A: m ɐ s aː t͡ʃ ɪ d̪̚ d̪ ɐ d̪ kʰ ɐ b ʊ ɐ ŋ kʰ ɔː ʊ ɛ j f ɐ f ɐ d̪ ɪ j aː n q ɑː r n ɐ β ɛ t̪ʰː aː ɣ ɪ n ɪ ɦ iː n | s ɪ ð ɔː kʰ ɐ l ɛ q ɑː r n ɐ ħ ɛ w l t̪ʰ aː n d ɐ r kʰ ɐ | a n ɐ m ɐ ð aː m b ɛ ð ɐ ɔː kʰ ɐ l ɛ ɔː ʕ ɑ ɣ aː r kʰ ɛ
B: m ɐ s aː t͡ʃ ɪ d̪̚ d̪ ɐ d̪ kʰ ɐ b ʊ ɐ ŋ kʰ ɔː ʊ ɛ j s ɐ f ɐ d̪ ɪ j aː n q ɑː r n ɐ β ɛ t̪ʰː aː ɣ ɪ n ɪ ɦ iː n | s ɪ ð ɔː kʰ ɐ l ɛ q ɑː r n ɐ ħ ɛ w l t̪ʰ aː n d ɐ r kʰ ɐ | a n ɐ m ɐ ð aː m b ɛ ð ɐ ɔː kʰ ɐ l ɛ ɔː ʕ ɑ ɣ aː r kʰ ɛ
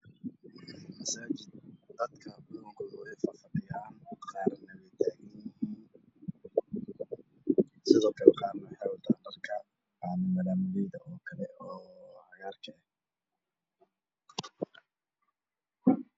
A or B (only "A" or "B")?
A